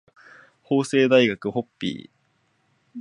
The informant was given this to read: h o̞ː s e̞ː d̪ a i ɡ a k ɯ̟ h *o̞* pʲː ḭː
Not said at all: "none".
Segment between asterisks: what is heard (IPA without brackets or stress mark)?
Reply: o̞